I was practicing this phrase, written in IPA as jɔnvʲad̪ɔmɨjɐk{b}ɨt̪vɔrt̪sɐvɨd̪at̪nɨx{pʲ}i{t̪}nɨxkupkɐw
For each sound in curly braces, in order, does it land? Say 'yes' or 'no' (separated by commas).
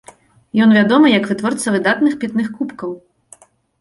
no, yes, yes